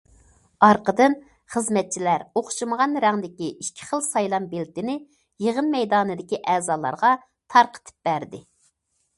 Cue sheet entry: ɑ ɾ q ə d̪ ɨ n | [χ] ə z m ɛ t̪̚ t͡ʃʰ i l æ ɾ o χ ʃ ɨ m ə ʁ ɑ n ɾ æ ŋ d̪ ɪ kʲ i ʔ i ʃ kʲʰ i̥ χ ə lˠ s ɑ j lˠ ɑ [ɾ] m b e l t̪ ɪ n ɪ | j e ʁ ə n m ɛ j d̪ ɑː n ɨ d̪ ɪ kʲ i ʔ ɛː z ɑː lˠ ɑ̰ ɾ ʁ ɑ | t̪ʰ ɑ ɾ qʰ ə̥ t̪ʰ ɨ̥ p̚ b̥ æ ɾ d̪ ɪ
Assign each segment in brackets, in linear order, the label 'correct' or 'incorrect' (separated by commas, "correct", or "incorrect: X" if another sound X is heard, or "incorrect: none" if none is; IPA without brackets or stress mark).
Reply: correct, incorrect: none